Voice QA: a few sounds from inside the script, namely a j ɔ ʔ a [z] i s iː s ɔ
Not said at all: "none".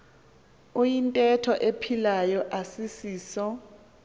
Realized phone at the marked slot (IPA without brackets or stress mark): s